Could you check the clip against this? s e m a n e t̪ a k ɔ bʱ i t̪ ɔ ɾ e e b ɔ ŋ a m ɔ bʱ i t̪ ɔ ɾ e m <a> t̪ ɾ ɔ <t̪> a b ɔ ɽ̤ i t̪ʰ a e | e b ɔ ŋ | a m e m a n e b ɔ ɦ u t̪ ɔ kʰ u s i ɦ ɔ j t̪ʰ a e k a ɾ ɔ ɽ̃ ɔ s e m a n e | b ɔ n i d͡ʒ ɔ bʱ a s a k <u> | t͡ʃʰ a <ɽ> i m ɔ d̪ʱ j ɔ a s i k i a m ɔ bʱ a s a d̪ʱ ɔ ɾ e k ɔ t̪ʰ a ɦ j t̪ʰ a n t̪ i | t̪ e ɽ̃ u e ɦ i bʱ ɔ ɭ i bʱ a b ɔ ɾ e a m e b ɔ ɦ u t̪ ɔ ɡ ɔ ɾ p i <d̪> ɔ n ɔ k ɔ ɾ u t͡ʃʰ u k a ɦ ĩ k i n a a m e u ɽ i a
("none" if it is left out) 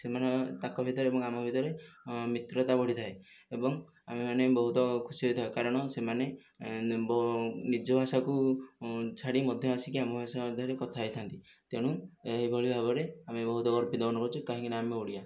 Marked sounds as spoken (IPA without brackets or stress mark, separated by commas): i, t̪, u, ɽ, d̪